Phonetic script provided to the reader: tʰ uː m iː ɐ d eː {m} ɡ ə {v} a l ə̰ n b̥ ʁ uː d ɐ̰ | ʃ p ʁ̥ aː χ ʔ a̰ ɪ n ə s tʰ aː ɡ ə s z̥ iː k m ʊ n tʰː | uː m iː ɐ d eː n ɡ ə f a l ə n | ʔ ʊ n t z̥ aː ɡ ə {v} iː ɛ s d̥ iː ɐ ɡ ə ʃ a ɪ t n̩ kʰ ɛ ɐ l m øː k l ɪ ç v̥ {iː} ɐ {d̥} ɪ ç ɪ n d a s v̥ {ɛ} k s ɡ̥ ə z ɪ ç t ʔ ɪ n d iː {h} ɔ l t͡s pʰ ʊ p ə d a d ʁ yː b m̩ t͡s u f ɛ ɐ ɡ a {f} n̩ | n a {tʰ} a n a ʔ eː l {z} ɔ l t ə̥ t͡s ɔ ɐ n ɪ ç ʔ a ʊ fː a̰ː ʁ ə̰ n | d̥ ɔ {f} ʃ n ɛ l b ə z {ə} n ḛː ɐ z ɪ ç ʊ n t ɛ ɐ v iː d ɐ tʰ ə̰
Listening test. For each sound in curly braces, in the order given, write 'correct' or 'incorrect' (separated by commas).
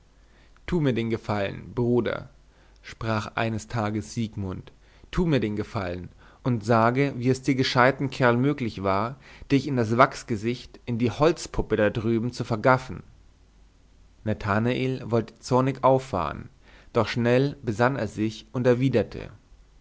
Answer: incorrect, incorrect, correct, incorrect, correct, incorrect, correct, correct, correct, incorrect, incorrect, incorrect